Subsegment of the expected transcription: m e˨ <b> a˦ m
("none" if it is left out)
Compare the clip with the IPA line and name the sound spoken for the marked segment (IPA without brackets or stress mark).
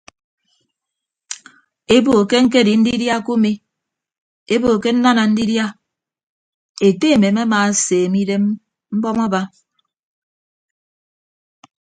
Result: m